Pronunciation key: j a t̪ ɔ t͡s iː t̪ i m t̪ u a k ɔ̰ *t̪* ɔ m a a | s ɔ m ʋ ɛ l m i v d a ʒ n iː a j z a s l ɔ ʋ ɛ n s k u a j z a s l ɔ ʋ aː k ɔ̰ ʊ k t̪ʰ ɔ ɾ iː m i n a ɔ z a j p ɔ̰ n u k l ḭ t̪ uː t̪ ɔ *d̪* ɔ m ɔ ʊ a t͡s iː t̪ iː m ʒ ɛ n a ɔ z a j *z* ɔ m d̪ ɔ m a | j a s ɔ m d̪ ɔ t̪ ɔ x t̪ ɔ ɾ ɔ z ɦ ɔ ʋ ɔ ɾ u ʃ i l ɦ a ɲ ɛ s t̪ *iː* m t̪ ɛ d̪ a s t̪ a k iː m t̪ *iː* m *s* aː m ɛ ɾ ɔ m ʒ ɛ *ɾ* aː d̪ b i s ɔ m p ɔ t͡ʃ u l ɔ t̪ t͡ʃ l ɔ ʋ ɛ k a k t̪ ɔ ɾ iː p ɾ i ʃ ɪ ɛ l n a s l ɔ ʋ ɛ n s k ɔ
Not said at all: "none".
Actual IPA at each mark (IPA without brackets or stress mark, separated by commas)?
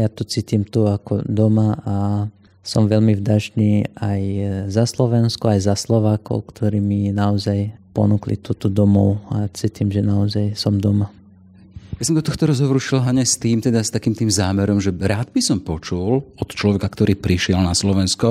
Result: d̪, d̪, s, iː, iː, z, ɾ